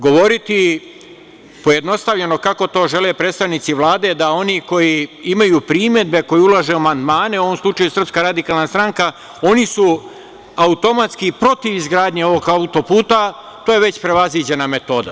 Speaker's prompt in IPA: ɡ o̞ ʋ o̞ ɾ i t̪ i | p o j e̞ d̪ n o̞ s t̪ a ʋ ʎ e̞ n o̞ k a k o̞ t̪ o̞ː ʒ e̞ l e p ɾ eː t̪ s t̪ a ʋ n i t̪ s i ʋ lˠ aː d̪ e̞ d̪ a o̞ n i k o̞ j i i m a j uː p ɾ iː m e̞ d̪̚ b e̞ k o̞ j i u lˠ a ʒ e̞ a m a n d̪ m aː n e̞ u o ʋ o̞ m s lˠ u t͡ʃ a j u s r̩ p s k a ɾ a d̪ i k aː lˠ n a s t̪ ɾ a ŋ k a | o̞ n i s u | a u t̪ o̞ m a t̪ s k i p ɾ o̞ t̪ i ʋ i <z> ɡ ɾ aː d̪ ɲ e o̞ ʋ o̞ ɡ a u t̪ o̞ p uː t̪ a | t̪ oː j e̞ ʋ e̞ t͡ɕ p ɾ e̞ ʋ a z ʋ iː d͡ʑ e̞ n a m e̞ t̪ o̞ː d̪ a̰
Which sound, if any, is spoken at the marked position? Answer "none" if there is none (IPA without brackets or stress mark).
z